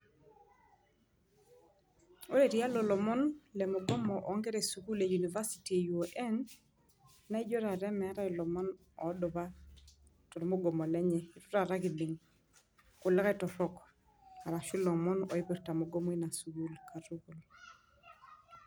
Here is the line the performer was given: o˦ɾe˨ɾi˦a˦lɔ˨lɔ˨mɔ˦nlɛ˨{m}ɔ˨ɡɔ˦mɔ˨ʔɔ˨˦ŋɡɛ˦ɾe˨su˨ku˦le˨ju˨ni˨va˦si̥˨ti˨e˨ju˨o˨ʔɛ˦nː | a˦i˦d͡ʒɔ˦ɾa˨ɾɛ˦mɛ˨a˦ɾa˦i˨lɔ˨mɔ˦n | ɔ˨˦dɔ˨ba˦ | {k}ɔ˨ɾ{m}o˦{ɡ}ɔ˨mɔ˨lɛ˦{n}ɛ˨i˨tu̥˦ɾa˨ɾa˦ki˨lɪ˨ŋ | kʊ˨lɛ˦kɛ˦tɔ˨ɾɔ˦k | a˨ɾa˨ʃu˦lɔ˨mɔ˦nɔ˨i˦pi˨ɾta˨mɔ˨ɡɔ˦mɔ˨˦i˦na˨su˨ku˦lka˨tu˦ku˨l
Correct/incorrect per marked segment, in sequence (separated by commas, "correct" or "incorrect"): correct, incorrect, correct, correct, incorrect